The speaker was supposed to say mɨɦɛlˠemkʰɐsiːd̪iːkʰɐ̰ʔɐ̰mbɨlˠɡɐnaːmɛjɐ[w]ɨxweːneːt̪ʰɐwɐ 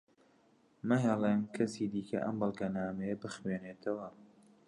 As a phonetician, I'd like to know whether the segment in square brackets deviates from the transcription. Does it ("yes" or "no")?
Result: yes